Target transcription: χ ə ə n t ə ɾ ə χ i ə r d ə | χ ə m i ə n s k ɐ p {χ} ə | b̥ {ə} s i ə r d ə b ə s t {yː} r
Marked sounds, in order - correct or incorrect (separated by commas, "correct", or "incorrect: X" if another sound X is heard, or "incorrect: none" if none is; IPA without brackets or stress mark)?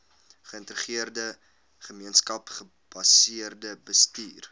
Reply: correct, incorrect: ɐ, incorrect: iː